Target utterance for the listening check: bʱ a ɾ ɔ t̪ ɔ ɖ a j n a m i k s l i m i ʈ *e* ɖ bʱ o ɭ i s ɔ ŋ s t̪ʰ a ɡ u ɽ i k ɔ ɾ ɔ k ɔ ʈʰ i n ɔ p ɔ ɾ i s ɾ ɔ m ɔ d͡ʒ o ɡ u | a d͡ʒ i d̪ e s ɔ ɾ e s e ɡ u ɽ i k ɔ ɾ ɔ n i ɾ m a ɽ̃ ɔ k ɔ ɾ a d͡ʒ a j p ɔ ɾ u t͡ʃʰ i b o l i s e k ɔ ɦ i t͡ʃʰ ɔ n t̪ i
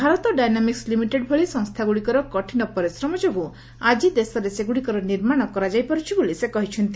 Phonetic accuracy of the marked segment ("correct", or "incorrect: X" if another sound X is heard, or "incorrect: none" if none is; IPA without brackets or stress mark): correct